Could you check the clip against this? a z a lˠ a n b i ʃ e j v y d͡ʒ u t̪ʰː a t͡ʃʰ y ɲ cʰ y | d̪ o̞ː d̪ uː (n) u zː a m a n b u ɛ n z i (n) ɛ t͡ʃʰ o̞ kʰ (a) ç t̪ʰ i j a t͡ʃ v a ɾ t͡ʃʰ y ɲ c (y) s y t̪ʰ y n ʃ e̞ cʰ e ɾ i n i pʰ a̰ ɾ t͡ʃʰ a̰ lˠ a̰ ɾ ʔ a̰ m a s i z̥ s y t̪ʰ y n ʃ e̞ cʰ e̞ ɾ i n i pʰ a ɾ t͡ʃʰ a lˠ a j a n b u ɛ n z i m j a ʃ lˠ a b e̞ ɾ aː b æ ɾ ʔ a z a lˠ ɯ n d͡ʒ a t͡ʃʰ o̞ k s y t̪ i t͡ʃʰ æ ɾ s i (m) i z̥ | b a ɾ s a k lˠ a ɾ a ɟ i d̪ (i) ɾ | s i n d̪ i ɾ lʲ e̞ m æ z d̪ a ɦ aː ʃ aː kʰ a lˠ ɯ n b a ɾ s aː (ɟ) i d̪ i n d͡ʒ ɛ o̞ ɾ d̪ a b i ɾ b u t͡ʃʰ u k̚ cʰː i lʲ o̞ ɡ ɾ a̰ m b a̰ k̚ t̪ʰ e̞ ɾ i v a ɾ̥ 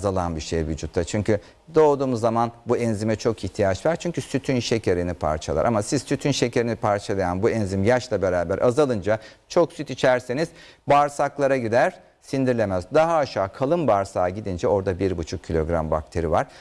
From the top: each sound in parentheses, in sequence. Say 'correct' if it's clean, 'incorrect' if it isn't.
incorrect, incorrect, incorrect, correct, incorrect, incorrect, correct

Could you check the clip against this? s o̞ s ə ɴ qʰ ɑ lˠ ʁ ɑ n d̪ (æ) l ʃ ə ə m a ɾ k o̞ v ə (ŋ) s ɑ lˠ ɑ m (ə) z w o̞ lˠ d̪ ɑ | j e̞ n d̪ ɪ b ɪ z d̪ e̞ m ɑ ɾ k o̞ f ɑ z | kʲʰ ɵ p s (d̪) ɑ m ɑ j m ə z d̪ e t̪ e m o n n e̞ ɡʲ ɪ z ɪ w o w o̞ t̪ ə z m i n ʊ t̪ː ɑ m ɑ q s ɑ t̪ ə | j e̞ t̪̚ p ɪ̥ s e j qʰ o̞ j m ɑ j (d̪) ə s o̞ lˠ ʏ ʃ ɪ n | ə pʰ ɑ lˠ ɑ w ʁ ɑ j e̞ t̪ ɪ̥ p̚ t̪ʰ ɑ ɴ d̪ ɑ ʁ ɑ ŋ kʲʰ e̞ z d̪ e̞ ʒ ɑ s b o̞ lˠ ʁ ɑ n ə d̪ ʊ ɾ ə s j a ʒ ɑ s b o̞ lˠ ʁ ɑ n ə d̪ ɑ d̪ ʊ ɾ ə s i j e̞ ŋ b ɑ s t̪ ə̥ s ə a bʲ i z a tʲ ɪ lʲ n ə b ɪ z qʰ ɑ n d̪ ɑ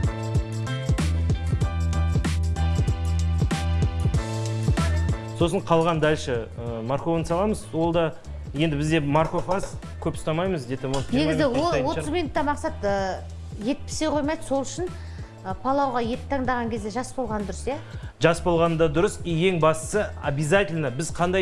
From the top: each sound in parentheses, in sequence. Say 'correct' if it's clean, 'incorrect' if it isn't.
correct, incorrect, correct, incorrect, correct

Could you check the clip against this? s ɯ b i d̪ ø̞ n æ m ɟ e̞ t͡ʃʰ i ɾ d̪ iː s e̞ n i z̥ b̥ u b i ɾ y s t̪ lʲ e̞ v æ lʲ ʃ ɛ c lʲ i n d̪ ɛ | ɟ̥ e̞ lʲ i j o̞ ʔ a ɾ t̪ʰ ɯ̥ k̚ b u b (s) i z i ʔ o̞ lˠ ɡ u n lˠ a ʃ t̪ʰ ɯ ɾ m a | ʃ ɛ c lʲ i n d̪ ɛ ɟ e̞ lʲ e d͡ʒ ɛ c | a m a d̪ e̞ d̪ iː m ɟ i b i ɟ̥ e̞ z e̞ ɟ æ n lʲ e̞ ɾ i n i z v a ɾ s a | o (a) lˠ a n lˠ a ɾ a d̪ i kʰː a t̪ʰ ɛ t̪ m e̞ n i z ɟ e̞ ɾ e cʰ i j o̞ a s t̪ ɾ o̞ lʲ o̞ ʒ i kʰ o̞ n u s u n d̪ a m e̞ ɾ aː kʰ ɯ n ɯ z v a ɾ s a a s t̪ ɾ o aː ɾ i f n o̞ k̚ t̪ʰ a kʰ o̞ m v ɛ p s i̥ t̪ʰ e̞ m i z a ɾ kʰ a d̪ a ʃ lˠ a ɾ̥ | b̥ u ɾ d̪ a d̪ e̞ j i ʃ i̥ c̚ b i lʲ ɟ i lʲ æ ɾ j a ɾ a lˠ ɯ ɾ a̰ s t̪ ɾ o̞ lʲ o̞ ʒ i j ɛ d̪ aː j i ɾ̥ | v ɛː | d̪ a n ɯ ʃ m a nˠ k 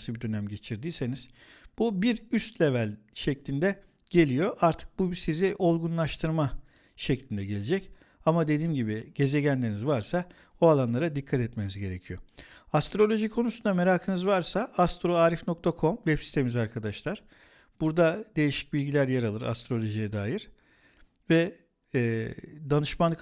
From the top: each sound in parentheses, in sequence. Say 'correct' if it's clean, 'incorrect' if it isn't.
correct, correct

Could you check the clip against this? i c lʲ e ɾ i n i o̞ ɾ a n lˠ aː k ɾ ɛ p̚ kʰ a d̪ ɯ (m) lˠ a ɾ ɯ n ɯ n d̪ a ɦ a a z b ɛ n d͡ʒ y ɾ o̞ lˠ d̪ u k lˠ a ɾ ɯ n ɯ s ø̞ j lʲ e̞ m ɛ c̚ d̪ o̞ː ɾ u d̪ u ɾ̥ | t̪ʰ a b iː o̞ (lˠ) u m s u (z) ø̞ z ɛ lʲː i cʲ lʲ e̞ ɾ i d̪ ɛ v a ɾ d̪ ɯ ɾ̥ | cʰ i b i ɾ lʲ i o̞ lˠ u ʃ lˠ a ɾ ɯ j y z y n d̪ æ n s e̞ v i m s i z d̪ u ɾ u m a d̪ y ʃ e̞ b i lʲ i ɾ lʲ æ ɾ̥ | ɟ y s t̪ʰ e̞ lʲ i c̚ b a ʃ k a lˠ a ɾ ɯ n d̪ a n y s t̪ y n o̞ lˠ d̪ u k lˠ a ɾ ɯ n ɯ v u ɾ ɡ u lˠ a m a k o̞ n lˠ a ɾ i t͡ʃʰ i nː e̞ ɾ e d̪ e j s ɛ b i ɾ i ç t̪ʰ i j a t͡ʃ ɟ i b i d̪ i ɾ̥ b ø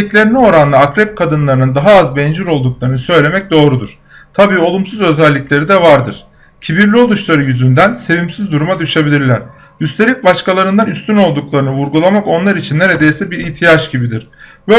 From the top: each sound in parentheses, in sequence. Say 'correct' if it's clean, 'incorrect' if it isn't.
incorrect, correct, correct

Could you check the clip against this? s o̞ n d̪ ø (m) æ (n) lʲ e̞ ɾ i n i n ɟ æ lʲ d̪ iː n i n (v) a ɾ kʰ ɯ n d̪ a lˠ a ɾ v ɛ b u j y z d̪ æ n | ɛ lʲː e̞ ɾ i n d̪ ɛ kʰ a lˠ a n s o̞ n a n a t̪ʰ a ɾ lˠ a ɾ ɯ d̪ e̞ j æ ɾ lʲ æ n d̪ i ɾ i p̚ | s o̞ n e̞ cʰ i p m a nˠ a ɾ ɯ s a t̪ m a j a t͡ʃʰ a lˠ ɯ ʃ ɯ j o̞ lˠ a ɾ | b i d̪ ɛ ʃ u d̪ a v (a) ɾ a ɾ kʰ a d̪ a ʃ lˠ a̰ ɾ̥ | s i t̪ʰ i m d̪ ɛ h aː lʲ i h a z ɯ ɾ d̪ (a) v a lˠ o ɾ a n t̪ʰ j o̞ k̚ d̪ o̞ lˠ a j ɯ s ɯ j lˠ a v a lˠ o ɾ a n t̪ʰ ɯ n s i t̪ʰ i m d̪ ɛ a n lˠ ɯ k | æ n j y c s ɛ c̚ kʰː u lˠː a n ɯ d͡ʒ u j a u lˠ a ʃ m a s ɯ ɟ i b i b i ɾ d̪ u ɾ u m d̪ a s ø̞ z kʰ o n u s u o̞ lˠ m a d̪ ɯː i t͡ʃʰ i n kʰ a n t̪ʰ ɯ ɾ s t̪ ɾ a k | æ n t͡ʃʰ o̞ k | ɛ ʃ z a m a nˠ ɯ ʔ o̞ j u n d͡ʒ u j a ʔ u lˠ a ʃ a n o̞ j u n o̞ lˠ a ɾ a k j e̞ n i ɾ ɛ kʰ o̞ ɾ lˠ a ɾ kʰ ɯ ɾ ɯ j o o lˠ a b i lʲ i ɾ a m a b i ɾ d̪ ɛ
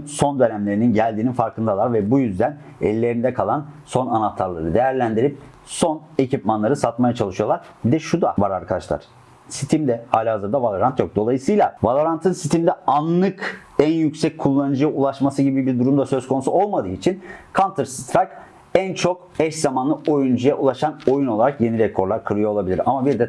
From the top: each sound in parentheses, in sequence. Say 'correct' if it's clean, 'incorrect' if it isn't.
incorrect, incorrect, incorrect, correct, correct

